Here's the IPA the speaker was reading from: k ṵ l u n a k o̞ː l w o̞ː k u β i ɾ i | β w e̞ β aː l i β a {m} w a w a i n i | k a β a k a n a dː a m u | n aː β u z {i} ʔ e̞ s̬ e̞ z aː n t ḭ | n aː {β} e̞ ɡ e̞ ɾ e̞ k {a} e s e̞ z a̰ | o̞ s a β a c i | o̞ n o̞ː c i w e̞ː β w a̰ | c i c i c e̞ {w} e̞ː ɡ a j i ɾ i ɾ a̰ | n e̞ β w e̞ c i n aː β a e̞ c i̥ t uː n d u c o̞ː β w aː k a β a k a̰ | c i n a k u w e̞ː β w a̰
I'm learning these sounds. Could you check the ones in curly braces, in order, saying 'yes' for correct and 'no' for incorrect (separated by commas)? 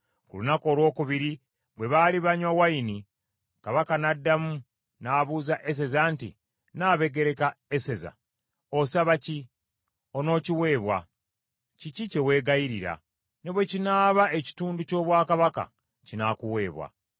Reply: no, no, yes, yes, yes